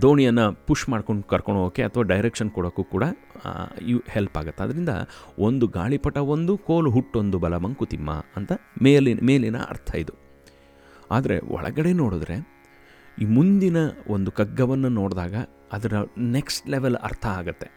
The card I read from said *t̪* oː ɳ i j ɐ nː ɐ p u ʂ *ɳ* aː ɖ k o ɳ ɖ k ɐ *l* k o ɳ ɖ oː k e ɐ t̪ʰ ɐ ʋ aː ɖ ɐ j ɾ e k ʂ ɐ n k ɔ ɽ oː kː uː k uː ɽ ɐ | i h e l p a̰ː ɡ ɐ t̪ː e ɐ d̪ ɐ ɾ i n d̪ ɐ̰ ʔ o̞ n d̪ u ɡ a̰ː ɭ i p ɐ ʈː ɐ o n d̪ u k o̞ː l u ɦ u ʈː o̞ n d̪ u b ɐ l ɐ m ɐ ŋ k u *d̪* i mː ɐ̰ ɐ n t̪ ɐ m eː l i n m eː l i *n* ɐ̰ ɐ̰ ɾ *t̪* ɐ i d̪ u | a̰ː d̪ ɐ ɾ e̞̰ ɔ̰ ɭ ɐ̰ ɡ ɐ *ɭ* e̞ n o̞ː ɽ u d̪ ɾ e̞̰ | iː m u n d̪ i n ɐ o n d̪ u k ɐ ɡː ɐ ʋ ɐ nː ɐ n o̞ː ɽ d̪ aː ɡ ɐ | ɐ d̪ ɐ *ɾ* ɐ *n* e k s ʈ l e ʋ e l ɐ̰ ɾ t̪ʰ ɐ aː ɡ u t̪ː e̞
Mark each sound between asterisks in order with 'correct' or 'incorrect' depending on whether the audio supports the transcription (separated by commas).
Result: incorrect, incorrect, incorrect, incorrect, correct, incorrect, incorrect, correct, correct